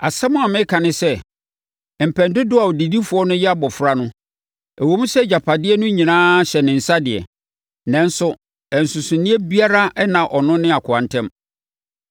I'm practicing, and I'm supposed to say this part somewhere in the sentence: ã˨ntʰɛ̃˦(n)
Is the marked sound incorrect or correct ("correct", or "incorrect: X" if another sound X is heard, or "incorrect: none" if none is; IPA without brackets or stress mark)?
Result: incorrect: m